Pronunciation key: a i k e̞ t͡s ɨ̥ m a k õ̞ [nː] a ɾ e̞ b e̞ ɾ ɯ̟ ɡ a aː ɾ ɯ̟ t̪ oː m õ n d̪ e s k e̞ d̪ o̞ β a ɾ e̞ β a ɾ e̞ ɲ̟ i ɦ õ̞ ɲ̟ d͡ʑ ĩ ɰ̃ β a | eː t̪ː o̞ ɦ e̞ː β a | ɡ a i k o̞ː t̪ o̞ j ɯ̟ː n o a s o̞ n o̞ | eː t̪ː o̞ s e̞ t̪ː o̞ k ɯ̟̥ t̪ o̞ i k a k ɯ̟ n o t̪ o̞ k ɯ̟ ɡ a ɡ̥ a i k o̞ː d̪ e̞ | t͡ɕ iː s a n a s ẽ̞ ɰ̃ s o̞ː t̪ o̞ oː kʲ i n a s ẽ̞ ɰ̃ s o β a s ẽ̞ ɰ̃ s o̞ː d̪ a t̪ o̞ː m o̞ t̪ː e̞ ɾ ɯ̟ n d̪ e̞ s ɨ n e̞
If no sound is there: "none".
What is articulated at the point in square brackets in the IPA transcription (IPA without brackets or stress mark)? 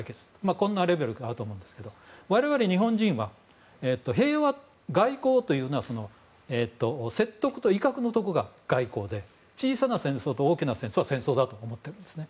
nː